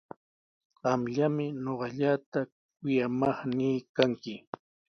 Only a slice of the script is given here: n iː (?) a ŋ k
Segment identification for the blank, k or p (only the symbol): k